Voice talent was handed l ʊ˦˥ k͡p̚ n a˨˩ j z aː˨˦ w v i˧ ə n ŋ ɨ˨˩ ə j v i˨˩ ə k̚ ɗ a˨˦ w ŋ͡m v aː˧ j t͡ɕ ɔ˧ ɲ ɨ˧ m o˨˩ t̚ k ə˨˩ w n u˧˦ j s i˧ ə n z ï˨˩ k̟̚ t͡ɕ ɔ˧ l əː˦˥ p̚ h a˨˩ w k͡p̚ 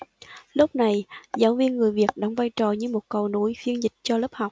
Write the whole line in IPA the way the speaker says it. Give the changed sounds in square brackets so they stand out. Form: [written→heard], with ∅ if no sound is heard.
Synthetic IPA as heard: l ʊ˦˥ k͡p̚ n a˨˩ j z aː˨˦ w v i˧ ə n ŋ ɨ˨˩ ə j v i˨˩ ə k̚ ɗ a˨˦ w ŋ͡m v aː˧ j t͡ɕ [ɔ˧→ɔ˨˩] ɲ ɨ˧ m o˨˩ t̚ k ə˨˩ w n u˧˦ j [s→f] i˧ ə n z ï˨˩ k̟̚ t͡ɕ ɔ˧ l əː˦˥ p̚ h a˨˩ w k͡p̚